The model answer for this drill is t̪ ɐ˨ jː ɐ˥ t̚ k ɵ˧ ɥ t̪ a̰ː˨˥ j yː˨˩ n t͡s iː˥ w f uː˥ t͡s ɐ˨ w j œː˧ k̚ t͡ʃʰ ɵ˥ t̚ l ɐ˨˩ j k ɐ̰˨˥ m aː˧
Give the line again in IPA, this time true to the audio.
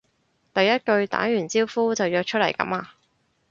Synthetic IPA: t̪ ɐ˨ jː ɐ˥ t̚ k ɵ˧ ɥ t̪ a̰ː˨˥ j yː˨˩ n t͡s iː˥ w f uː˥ t͡s ɐ˨ w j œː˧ k̚ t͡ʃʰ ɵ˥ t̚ l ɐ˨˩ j k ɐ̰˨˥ m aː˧